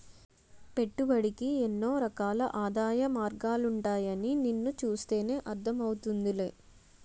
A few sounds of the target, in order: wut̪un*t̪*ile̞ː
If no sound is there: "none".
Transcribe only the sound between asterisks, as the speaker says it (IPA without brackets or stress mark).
d̪